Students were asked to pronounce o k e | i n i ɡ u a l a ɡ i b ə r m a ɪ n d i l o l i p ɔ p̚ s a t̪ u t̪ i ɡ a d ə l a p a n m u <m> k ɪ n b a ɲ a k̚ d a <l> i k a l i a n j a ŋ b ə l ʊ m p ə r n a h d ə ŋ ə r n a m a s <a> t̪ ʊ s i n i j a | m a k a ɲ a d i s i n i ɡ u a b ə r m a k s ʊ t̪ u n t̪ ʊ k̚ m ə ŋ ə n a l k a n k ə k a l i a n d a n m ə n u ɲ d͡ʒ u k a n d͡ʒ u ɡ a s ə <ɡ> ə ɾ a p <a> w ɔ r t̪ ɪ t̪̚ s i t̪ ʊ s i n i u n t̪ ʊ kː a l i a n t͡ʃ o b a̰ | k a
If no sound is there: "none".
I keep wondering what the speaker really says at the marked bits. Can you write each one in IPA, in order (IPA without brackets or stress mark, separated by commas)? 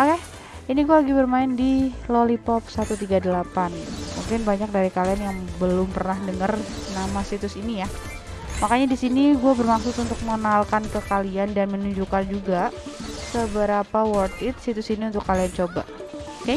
ŋ, ɾ, i, b, a